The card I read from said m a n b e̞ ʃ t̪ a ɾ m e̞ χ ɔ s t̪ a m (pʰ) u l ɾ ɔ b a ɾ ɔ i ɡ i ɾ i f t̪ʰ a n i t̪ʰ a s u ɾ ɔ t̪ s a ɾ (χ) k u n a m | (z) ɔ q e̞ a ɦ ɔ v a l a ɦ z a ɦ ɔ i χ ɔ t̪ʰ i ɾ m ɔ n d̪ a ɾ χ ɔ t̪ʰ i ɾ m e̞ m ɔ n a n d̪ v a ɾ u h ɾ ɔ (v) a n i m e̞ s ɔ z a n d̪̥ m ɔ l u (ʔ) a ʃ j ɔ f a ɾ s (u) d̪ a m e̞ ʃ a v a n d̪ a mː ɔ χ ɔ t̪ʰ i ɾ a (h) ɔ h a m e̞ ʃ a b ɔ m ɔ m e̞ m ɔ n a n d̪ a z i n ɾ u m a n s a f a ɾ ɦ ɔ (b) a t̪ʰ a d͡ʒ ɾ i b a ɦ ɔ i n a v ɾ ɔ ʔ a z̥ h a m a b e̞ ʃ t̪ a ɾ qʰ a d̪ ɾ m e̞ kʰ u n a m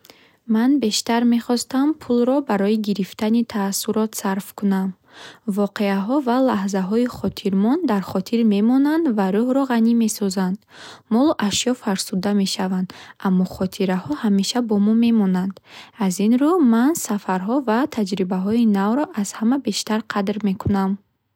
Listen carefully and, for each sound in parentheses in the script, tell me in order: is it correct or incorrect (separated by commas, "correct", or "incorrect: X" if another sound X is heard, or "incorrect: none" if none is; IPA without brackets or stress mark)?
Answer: correct, incorrect: f, incorrect: v, incorrect: ʁ, correct, correct, correct, incorrect: v